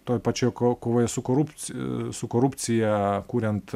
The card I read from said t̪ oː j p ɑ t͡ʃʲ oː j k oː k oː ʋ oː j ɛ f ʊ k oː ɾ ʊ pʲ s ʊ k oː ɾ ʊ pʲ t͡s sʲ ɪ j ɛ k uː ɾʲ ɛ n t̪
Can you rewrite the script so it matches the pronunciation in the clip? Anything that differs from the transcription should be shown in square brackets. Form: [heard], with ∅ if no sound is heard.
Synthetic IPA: t̪ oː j p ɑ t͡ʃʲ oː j k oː k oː ʋ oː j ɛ [s] ʊ k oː ɾ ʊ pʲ s ʊ k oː ɾ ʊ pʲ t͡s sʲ ɪ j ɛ k uː ɾʲ ɛ n t̪